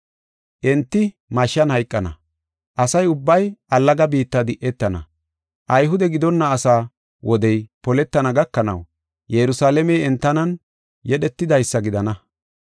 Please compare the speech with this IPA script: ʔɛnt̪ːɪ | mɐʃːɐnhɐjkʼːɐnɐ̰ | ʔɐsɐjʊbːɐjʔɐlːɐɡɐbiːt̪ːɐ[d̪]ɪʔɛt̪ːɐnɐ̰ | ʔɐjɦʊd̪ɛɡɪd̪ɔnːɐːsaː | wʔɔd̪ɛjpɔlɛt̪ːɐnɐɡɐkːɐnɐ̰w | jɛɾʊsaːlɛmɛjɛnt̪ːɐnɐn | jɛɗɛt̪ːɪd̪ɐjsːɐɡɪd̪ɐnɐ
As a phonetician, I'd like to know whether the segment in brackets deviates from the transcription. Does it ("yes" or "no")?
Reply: no